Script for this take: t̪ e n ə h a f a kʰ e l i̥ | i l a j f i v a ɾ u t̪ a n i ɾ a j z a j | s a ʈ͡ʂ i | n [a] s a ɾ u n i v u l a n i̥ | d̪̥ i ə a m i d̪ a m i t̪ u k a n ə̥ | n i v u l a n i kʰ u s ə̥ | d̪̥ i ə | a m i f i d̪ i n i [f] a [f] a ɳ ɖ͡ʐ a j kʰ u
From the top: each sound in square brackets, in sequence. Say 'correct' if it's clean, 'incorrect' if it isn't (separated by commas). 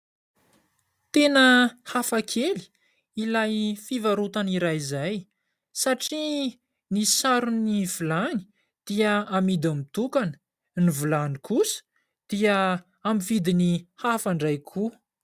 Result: incorrect, incorrect, correct